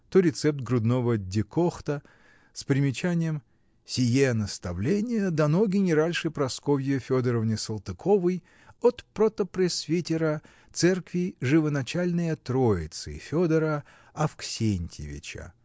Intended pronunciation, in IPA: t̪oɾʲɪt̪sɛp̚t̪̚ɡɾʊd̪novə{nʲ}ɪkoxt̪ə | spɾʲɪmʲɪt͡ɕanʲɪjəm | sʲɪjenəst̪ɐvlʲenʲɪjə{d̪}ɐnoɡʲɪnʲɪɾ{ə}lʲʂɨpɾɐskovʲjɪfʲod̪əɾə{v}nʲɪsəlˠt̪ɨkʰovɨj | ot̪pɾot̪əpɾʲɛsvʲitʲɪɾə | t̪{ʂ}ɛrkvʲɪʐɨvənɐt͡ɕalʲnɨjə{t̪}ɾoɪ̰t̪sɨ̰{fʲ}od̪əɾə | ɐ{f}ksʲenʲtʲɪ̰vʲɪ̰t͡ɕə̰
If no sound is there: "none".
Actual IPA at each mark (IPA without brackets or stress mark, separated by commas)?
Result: dʲ, d̪, a, v, s, t̪, fʲ, f